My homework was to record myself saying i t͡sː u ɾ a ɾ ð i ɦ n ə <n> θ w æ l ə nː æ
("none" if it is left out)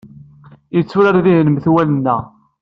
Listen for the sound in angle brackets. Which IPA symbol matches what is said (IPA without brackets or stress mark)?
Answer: m